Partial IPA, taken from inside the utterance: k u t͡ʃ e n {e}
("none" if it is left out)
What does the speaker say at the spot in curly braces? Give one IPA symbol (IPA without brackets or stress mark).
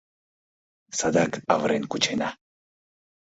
a